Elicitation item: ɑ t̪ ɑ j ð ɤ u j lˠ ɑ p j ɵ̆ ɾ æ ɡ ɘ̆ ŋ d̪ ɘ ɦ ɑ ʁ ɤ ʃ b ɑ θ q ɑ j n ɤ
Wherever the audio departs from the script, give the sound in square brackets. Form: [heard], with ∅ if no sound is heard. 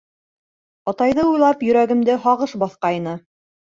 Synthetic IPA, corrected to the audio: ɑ t̪ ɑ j ð ɤ u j lˠ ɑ p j ɵ̆ ɾ æ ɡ ɘ̆ [m] d̪ ɘ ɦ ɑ ʁ ɤ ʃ b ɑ θ q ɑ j n ɤ